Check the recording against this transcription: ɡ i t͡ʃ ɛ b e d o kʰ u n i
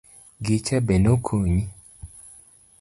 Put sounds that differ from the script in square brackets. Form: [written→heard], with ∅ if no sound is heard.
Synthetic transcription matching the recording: ɡ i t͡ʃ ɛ b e [d→n] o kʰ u [n→ɲ] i